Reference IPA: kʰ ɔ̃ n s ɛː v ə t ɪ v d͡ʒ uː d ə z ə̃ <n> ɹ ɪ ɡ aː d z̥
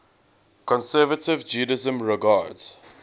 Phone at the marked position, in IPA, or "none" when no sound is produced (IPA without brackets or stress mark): m